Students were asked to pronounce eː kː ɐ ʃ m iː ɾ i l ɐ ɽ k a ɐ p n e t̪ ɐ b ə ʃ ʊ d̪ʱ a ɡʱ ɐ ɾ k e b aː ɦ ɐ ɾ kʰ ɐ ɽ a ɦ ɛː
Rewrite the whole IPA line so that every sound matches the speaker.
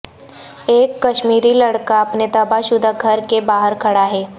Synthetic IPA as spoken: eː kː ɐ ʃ m iː ɾ i l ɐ ɽ k a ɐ p n e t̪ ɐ b a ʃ ʊ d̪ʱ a ɡʱ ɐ ɾ k e b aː ɦ ə ɾ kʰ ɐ ɽ a ɦ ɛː